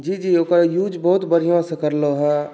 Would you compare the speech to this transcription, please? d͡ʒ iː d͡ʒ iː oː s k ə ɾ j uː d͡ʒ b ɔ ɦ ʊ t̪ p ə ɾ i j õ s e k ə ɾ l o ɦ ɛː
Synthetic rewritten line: d͡ʒ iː d͡ʒ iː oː k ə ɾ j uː d͡ʒ b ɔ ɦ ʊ t̪ b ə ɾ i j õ s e k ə ɾ l o ɦ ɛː